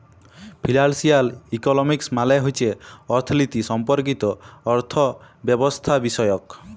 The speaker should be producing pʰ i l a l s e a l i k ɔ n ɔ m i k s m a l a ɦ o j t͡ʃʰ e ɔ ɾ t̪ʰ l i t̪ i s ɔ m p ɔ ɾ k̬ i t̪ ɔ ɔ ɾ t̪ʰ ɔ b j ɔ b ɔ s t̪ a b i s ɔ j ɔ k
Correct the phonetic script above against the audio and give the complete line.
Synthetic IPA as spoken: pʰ i l a l s i a l i k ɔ n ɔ m i k s m a l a ɦ o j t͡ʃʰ e ɔ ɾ t̪ʰ l i t̪ i s ɔ m p ɔ ɾ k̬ i t̪ ɔ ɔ ɾ t̪ʰ ɔ b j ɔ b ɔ s t̪ʰ a b i s ɔ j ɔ k